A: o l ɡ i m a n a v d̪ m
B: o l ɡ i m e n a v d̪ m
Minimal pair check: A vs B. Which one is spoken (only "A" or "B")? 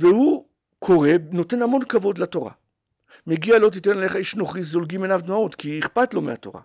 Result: B